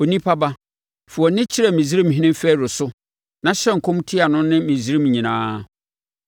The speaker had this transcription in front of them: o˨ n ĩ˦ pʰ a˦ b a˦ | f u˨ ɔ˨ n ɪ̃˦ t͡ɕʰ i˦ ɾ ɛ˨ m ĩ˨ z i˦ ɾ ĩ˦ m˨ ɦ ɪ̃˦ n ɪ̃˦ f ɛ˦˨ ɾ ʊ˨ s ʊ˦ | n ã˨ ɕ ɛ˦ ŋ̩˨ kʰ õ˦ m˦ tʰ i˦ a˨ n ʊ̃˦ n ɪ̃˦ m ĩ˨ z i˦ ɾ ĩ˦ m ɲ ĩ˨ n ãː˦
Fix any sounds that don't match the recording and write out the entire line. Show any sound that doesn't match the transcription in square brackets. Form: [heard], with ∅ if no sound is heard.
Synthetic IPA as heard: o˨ n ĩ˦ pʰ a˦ b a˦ | f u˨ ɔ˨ n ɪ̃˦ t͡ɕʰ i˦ ɾ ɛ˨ m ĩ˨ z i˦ ɾ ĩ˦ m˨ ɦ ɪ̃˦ n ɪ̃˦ f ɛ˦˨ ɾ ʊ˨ s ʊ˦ | n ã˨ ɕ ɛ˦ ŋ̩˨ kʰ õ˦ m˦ tʰ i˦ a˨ n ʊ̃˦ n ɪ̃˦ m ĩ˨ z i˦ ɾ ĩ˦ m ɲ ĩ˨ n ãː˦